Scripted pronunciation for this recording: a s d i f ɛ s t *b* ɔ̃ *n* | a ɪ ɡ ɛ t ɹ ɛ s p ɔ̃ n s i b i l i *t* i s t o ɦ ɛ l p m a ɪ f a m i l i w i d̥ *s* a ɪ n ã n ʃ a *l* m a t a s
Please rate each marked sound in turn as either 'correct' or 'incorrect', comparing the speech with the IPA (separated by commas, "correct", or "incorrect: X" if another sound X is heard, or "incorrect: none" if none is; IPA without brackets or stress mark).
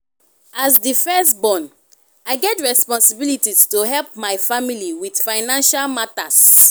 correct, correct, correct, incorrect: f, correct